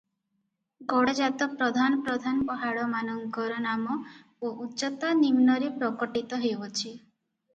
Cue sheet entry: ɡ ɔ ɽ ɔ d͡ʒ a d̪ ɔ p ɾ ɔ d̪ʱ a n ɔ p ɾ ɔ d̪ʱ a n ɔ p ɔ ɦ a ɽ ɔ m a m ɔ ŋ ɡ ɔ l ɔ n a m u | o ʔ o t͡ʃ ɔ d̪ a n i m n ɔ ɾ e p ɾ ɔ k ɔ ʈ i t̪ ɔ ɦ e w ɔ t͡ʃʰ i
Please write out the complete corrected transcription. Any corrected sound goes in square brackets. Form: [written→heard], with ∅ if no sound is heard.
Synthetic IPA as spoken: ɡ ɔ ɽ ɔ d͡ʒ a [d̪→t̪] ɔ p ɾ ɔ d̪ʱ a n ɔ p ɾ ɔ d̪ʱ a n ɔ p ɔ ɦ a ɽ ɔ m a [m→n] ɔ ŋ ɡ ɔ [l→ɾ] ɔ n a m [u→ɔ] | o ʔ [o→u] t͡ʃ ɔ [d̪→t̪] a n i m n ɔ ɾ e p ɾ ɔ k ɔ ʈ i t̪ ɔ ɦ e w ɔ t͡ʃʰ i